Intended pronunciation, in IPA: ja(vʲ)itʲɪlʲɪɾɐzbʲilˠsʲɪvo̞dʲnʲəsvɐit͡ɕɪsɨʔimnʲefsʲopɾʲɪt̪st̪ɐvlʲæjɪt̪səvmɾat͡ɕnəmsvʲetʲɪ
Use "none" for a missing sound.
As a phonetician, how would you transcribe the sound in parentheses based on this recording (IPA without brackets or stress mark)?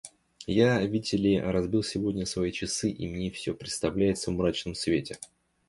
vʲ